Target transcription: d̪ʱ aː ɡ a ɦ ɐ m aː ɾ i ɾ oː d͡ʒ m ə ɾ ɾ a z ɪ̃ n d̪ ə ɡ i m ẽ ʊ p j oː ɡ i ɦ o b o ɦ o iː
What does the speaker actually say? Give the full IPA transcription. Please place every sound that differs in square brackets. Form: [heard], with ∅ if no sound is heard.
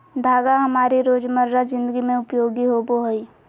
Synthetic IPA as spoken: d̪ʱ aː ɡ a ɦ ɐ m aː ɾ i ɾ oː d͡ʒ m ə ɾ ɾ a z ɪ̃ n d̪ ə ɡ i m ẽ ʊ p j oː ɡ i ɦ o b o ɦ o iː